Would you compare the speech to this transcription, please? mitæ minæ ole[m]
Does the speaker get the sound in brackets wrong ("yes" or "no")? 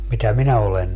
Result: yes